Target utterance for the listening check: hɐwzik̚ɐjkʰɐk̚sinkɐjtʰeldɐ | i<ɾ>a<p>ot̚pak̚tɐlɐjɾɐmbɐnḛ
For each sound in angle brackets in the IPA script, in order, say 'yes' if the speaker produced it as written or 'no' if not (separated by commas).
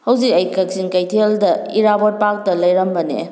yes, no